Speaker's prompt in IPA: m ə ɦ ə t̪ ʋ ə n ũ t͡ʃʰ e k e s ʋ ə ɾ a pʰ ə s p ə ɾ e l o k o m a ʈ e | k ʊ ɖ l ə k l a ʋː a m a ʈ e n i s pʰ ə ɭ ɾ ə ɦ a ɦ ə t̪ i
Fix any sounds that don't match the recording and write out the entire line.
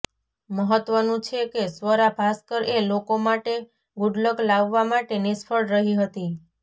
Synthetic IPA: m ə ɦ ə t̪ ʋ ə n ũ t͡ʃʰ e k e s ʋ ə ɾ a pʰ a s k ə ɾ e l o k o m a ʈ e | ɡ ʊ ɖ l ə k l a ʋː a m a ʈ e n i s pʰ ə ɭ ɾ ə ɦ i ɦ ə t̪ i